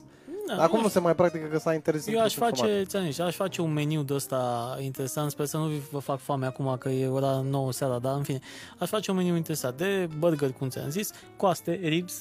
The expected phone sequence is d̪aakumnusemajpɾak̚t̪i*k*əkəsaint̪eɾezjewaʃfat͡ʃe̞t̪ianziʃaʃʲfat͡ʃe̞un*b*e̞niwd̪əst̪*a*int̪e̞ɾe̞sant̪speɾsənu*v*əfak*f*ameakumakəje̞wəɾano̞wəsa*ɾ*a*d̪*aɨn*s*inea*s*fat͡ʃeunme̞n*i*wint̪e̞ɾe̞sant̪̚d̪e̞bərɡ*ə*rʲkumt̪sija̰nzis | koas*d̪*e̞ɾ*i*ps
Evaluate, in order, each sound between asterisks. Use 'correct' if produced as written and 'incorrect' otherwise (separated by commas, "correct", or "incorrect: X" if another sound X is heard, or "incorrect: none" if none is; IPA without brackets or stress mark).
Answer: correct, incorrect: m, correct, correct, correct, correct, correct, incorrect: f, incorrect: ʃ, correct, correct, incorrect: t̪, correct